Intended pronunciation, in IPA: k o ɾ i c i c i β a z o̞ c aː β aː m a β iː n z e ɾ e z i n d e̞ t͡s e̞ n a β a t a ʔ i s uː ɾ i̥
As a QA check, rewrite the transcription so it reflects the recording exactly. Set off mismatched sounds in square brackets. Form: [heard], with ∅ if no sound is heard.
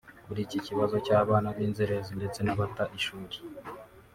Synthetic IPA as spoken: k [u] ɾ i c i c i β a z o̞ c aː β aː [n] a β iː n z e ɾ e z i n d e̞ t͡s e̞ n a β a t a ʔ i [ʃ] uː ɾ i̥

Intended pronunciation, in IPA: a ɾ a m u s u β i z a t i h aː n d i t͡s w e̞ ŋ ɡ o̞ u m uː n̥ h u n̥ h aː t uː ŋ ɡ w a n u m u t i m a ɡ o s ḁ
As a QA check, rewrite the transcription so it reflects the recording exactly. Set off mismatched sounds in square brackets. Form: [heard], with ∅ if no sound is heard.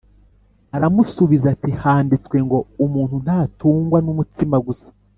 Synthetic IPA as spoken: a ɾ a m u s u β i z a t i h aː n d i t͡s w e̞ ŋ ɡ o̞ u m uː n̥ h u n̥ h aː t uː ŋ ɡ w a n u m u t i m a ɡ [u] s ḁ

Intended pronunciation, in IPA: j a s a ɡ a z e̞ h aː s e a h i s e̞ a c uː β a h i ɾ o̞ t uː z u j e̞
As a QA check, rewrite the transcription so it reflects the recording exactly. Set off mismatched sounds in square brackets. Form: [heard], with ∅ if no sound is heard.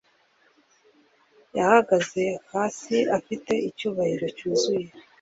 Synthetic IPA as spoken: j a [h] a ɡ a z e̞ h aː s [i] a [f] i [t] e̞ [i] c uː β a h i ɾ o̞ [c] uː z u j e̞

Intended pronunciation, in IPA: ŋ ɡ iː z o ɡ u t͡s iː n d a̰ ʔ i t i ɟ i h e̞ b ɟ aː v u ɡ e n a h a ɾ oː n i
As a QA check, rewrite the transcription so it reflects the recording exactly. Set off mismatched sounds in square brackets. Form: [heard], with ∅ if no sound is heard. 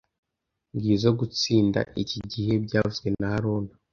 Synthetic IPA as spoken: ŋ ɡ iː z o ɡ u t͡s iː n d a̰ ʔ i [c] i ɟ i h e̞ b ɟ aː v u ɡ e n a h a ɾ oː n [a]

